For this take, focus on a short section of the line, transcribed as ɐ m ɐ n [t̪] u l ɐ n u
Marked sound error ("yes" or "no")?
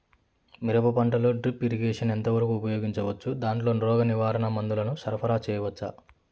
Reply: yes